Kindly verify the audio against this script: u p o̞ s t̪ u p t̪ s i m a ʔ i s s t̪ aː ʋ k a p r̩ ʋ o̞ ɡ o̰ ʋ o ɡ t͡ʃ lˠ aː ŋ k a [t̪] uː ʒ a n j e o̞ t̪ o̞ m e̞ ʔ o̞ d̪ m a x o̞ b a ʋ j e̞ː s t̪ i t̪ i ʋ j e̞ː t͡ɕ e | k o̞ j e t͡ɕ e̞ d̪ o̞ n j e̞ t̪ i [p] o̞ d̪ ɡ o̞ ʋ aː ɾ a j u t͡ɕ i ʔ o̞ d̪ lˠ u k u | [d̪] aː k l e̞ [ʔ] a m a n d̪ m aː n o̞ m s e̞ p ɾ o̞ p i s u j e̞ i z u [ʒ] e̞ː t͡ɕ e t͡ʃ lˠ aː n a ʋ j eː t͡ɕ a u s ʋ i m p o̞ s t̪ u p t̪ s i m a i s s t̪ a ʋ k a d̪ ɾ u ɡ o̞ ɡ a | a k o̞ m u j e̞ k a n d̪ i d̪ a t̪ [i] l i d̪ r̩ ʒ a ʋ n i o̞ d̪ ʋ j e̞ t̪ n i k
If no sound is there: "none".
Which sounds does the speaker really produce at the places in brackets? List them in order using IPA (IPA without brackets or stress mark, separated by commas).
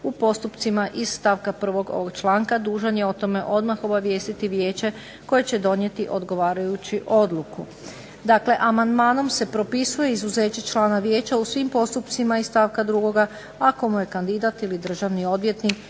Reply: d̪, ʔ, d̪, ʔ, z, i